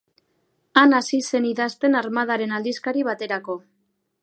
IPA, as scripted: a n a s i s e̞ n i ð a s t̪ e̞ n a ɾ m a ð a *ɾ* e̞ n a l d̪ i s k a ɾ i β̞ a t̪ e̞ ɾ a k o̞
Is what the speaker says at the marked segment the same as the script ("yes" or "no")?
yes